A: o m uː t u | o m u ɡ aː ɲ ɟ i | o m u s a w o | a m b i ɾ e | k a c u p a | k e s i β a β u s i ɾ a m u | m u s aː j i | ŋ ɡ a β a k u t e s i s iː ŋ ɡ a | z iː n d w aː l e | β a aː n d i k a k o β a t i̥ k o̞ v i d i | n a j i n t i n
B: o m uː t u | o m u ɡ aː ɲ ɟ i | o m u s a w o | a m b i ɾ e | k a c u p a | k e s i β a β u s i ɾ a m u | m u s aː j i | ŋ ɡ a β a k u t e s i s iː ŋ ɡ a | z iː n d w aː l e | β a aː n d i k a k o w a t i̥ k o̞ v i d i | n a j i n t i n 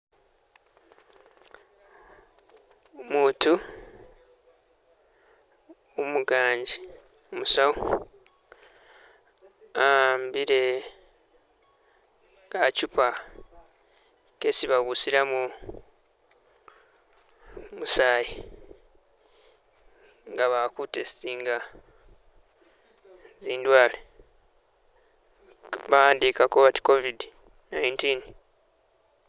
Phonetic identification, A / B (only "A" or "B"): A